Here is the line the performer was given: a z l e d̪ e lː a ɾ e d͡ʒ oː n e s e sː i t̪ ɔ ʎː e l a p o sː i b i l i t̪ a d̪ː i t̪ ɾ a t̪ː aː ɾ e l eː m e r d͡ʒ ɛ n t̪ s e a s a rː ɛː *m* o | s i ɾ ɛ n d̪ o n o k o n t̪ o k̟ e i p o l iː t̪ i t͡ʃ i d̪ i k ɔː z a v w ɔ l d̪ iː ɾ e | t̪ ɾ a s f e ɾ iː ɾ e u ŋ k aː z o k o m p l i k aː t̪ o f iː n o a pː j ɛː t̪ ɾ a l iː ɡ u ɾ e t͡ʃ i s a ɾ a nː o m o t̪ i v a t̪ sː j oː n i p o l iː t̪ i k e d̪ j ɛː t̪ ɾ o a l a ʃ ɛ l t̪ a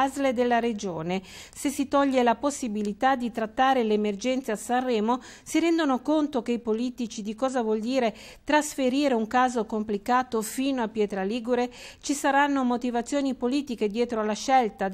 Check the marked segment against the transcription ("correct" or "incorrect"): correct